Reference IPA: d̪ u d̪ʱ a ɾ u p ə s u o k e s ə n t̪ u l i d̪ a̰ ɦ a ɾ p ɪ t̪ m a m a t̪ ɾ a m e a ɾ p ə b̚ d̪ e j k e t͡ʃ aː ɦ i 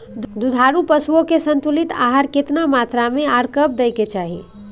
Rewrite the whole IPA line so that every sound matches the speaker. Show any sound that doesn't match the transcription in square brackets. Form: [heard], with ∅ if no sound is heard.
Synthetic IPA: d̪ u d̪ʱ a ɾ u p ə s u o k e s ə n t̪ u l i [t̪] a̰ ɦ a ɾ [k] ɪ t̪ [n] a m a t̪ ɾ a m e a ɾ [k] ə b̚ d̪ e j k e t͡ʃ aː ɦ i